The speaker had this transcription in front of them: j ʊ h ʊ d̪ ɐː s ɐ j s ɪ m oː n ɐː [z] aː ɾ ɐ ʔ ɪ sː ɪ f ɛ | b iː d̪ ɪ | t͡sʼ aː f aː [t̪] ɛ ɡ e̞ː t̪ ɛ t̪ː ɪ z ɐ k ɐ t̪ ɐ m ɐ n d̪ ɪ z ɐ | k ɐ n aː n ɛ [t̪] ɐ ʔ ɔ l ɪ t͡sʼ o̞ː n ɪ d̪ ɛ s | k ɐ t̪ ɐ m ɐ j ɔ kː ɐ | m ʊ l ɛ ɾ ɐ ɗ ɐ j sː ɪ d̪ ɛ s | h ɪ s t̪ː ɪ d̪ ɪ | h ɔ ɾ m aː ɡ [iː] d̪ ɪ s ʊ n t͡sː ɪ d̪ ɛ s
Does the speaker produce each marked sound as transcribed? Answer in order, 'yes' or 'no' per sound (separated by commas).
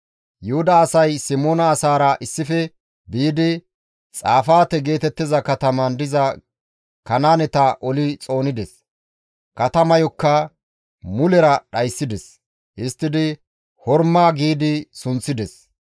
no, yes, yes, yes